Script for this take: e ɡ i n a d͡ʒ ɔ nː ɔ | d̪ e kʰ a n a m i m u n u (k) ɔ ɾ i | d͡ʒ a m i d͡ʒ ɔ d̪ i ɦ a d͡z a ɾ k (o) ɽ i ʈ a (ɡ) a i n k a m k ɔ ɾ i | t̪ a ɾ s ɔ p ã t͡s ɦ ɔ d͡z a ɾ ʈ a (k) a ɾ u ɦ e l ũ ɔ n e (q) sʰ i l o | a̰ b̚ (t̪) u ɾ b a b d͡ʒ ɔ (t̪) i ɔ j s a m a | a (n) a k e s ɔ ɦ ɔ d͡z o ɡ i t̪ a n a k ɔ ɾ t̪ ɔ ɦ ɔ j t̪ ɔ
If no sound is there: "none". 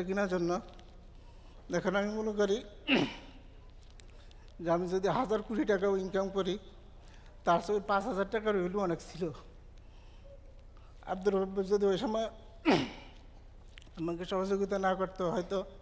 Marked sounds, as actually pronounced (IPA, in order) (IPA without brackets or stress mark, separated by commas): k, u, k, k, k, d̪, d̪, m